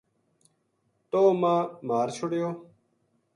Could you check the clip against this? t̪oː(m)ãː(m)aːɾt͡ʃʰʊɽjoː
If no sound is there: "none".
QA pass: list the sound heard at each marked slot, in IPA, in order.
m, m

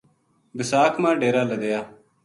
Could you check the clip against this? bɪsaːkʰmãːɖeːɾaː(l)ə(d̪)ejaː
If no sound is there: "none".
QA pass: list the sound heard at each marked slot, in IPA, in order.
l, d̪

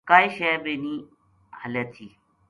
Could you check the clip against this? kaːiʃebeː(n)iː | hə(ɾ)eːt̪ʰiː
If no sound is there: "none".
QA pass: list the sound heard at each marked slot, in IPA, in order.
n, l

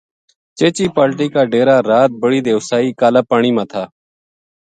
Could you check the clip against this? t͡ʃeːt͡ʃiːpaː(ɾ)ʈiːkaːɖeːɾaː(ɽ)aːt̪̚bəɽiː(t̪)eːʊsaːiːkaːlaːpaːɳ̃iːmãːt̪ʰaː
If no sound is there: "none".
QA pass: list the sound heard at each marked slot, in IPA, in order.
l, ɾ, d̪

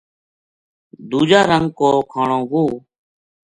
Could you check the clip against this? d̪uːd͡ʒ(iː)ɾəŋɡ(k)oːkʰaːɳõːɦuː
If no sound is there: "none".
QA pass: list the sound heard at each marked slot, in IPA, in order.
aː, k

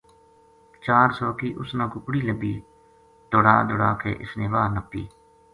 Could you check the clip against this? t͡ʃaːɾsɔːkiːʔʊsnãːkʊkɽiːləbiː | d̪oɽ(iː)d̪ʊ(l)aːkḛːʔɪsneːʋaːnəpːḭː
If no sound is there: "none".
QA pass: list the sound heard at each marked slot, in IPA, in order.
aː, ɽ

